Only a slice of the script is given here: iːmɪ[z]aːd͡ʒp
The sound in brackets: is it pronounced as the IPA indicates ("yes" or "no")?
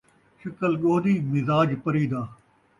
yes